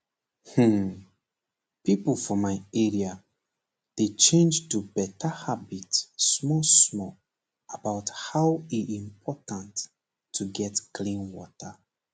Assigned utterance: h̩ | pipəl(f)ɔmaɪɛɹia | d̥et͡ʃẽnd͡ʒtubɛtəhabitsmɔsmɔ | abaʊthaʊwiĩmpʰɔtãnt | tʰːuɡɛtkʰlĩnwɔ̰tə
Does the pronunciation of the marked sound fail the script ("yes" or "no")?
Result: no